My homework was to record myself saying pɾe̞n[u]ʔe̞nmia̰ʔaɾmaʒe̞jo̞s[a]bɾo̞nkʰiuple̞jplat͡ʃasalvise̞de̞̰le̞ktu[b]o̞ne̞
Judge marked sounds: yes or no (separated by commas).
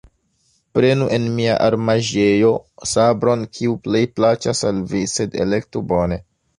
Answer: yes, yes, yes